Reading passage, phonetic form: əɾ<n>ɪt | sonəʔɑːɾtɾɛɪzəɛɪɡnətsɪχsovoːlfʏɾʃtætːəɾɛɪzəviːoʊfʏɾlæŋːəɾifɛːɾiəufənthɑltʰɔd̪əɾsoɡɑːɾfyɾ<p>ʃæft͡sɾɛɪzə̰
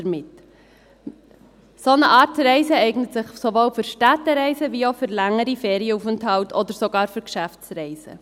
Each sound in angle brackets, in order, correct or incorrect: incorrect: m, incorrect: k

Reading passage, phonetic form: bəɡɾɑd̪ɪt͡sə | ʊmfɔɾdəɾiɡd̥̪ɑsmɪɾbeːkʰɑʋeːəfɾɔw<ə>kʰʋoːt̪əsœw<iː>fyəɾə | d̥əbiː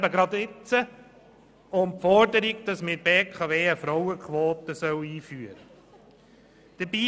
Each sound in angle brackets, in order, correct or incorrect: correct, correct

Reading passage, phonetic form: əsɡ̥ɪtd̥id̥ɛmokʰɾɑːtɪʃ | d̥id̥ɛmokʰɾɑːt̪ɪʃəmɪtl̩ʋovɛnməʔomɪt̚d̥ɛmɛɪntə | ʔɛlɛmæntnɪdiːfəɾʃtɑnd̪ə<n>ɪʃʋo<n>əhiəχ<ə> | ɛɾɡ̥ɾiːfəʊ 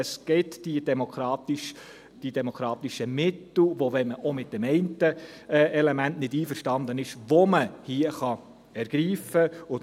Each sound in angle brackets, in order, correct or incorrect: correct, incorrect: m, incorrect: ɑ

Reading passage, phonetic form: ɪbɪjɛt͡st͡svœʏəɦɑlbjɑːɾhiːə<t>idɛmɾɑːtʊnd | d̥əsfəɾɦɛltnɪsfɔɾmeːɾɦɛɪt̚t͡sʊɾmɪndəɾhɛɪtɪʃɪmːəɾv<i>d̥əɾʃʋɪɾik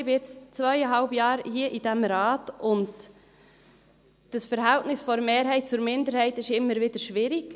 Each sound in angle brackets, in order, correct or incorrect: incorrect: ʔ, incorrect: ɪ

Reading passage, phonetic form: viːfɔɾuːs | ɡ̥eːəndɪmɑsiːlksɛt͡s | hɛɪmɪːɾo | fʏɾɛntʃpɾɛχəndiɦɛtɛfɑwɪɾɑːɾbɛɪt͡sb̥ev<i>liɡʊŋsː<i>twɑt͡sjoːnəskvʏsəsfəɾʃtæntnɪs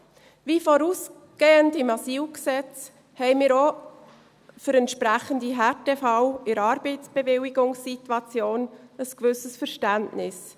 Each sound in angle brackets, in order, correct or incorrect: incorrect: ɪ, correct

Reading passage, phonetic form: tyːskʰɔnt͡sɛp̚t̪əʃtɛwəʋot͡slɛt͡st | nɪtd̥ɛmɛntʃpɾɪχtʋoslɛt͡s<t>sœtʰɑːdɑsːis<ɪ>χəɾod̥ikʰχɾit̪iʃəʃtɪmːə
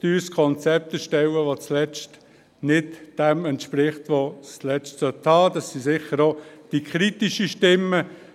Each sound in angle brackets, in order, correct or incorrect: correct, correct

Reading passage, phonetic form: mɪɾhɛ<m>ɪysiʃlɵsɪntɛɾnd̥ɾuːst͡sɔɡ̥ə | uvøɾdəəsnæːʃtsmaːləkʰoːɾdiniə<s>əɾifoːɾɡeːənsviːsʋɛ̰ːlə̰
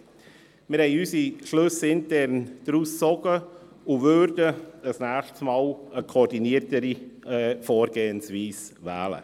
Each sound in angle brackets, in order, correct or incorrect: incorrect: none, incorrect: t

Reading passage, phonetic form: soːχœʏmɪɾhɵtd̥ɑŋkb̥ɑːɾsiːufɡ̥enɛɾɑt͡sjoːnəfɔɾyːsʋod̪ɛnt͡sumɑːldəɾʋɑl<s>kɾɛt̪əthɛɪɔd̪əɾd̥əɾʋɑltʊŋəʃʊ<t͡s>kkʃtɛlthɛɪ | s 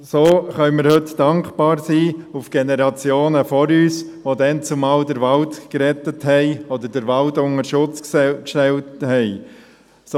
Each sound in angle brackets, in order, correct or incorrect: incorrect: t, correct

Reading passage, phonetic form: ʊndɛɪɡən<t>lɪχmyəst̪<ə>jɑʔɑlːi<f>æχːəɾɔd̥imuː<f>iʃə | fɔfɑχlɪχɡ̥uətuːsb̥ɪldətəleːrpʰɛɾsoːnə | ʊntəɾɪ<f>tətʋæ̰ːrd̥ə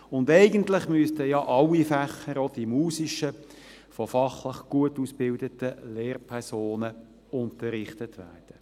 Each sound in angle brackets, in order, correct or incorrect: correct, correct, correct, incorrect: s, incorrect: χ

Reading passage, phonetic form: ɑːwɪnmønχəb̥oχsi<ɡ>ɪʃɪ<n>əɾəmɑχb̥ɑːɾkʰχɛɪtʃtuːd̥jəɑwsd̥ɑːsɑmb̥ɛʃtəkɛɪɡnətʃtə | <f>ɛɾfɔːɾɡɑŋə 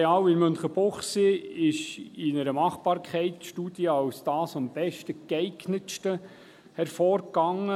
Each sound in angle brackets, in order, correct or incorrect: incorrect: none, correct, incorrect: h

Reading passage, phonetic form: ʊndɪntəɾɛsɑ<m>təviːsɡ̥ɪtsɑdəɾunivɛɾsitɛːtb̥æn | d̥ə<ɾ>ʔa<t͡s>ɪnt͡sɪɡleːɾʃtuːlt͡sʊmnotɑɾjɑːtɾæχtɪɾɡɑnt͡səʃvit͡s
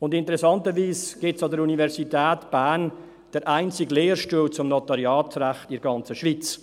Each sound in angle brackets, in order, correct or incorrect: incorrect: n, correct, incorrect: none

